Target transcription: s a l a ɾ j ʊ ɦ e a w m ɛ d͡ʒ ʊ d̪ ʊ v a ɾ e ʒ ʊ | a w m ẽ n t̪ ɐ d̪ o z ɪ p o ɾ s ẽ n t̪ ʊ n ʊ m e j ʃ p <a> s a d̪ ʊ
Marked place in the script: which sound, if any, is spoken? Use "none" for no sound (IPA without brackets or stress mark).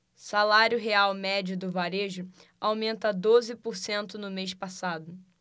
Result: a